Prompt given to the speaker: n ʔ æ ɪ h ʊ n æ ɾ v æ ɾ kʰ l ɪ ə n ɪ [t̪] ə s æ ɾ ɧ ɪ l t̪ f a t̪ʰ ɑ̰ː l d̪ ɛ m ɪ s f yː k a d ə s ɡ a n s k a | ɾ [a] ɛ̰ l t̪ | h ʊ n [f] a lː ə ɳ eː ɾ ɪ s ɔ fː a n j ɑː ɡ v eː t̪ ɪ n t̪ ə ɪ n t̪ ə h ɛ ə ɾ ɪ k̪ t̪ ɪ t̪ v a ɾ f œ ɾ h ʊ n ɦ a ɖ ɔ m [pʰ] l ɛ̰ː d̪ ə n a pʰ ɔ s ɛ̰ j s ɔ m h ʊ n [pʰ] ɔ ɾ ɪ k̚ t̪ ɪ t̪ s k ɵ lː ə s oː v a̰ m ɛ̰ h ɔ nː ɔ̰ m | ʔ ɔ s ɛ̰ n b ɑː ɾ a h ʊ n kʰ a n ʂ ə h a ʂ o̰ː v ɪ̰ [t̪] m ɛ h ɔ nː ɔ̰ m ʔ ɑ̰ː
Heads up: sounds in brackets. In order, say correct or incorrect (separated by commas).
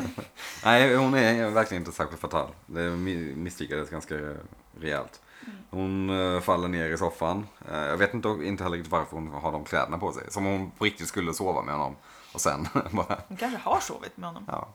correct, incorrect, correct, incorrect, correct, correct